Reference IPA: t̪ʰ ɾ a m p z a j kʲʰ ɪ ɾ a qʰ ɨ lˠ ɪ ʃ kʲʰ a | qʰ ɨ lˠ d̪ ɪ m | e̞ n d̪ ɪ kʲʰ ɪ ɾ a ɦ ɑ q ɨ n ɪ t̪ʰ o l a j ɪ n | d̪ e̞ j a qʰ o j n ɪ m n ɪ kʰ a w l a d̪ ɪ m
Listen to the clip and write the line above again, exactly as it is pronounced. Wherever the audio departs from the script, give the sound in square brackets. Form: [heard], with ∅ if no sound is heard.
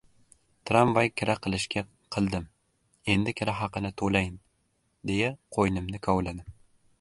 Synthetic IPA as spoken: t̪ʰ ɾ a m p [v] a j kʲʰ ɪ ɾ a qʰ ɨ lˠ ɪ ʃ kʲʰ a | qʰ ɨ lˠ d̪ ɪ m | e̞ n d̪ ɪ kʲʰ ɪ ɾ a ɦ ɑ q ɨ n ɪ t̪ʰ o l a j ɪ n | d̪ e̞ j a qʰ o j n ɪ m n ɪ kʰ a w l a d̪ ɪ m